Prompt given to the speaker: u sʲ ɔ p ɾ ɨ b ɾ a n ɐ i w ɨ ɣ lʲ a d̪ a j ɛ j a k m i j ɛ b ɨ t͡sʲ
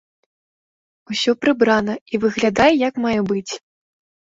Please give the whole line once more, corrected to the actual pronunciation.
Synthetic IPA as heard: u sʲ ɔ p ɾ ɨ b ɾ a n ɐ i v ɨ ɣ lʲ a d̪ a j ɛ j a k m a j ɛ b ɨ t͡sʲ